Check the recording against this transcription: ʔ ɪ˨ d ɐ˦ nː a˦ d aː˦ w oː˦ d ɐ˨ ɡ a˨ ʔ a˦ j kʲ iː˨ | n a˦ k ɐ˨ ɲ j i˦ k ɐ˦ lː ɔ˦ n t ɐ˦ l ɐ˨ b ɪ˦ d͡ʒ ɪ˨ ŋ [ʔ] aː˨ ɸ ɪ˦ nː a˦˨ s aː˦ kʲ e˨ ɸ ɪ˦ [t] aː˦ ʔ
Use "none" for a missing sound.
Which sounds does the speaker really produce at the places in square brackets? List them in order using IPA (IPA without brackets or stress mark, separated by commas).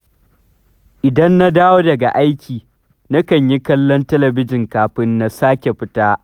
k, t